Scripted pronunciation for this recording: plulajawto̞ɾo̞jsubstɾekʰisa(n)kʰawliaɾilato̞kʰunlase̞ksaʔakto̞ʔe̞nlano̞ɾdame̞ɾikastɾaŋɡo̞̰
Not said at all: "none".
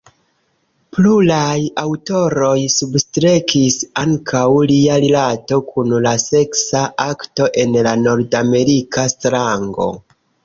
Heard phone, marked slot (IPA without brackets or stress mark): ŋ